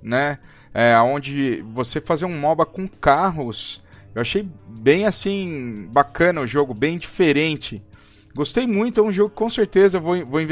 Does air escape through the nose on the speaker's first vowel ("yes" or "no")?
no